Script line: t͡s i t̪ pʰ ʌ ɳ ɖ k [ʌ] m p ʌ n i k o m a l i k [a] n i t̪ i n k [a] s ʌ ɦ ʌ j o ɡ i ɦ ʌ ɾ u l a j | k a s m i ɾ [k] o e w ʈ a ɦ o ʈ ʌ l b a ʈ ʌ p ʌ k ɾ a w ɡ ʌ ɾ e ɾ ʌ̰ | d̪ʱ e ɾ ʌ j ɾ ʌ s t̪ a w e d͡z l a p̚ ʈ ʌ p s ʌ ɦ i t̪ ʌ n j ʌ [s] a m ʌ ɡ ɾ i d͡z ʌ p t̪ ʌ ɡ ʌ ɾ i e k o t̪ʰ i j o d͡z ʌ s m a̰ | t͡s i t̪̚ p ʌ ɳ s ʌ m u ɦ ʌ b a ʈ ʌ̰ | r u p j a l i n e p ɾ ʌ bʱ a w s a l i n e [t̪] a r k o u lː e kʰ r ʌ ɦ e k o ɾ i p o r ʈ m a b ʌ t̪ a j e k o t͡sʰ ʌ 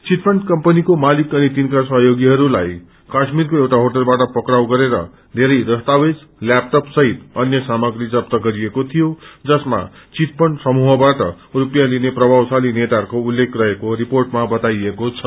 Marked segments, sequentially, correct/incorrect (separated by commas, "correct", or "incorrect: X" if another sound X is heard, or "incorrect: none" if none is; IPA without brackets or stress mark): correct, incorrect: ʌ, correct, correct, correct, correct